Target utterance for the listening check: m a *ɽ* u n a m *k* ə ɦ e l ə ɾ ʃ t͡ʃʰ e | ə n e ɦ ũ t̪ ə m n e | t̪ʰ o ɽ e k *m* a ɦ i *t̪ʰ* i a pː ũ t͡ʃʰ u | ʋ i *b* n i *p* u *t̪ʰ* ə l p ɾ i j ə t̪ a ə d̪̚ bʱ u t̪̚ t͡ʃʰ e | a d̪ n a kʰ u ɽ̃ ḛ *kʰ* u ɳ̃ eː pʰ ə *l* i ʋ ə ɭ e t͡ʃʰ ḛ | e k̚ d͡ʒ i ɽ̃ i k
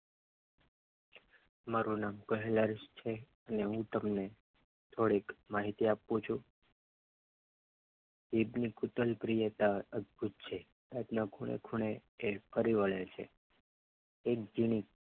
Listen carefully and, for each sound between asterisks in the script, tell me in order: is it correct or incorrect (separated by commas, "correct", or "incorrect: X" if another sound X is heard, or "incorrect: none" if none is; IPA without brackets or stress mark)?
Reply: incorrect: ɾ, correct, correct, incorrect: t̪, correct, incorrect: k, incorrect: t̪, correct, incorrect: ɾ